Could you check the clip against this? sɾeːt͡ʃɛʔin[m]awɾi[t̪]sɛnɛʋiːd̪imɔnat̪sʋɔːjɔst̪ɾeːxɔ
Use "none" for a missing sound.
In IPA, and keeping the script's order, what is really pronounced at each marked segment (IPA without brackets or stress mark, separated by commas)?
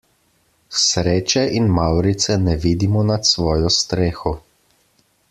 m, t̪